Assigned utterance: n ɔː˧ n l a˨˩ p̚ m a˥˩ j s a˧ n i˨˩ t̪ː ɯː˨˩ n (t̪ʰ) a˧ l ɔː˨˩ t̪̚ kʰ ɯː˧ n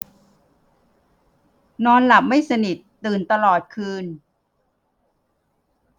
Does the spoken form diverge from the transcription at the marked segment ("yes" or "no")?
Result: yes